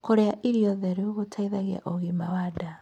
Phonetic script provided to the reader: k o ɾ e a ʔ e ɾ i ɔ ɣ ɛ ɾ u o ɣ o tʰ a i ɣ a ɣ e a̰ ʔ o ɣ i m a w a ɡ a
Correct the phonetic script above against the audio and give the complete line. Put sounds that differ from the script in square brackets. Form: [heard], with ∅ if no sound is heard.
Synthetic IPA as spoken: k o ɾ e a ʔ [i] ɾ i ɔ [ð] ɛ ɾ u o ɣ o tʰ a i [ð] a ɣ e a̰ ʔ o ɣ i m a w a [d] a